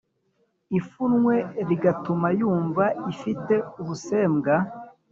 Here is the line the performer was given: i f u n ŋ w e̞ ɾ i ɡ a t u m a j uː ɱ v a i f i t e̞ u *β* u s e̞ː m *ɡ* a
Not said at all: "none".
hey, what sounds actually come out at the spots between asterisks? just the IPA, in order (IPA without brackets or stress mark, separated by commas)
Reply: β, ɡ